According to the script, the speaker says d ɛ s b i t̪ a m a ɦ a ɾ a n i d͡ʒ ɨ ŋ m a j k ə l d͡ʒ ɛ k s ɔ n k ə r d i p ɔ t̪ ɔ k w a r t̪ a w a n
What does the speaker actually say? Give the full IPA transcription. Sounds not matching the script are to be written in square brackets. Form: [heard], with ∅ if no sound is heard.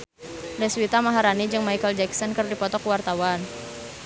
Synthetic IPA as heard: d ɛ s [w] i t̪ a m a ɦ a ɾ a n i d͡ʒ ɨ ŋ m a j k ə l d͡ʒ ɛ k s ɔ n k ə r d i p ɔ t̪ ɔ k w a r t̪ a w a n